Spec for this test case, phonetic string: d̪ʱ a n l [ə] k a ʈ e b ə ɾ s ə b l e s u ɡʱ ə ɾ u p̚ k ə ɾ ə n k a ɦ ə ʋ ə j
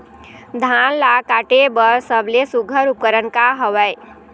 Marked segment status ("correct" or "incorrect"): incorrect